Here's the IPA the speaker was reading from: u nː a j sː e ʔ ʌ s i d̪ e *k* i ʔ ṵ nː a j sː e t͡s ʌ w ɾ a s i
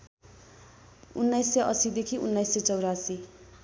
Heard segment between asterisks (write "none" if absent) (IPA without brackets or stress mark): kʰ